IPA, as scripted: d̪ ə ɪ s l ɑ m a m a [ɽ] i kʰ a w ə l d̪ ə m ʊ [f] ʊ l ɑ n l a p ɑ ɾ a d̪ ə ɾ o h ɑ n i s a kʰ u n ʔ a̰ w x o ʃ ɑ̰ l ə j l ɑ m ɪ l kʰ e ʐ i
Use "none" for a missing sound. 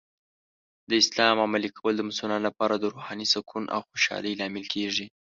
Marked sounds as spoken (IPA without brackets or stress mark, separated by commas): l, s